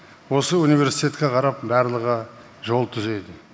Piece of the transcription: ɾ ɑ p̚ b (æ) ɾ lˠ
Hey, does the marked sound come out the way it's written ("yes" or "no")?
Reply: yes